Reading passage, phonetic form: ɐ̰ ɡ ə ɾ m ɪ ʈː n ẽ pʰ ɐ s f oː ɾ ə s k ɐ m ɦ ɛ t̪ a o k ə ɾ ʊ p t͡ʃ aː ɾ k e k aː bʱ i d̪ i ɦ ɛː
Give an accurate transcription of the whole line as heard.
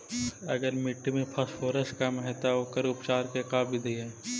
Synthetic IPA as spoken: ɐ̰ ɡ ə ɾ m ɪ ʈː m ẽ pʰ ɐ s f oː ɾ ə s k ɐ m ɦ ɛ t̪ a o k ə ɾ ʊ p t͡ʃ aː ɾ k e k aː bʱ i d̪ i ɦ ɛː